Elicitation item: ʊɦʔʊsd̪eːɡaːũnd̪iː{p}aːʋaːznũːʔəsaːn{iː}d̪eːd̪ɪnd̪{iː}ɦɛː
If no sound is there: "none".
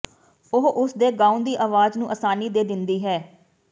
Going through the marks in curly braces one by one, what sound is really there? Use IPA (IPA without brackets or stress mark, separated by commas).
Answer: ʔ, iː, iː